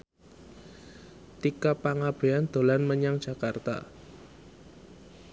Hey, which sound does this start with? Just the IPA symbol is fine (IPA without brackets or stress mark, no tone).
t̪